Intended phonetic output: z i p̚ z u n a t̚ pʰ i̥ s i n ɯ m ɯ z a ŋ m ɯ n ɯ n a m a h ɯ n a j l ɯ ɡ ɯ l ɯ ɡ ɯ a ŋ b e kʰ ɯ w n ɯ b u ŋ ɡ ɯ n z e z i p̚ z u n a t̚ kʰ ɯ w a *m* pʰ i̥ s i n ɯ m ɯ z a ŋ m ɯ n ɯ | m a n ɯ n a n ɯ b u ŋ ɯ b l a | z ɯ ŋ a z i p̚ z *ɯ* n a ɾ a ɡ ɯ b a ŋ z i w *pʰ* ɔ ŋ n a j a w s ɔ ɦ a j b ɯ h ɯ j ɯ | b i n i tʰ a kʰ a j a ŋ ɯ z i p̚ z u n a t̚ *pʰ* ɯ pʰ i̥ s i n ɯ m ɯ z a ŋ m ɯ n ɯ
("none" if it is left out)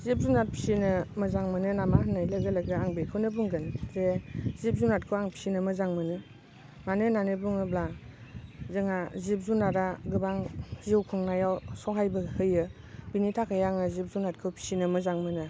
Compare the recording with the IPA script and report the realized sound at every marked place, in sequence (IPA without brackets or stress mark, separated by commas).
ŋ, u, kʰ, kʰ